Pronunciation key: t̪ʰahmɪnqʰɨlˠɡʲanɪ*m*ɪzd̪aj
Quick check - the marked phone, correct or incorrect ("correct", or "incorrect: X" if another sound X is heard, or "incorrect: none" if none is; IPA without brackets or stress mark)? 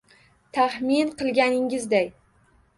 incorrect: ŋ